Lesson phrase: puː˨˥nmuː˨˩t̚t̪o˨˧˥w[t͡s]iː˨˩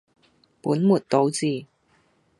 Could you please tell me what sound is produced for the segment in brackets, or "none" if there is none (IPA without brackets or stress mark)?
t͡s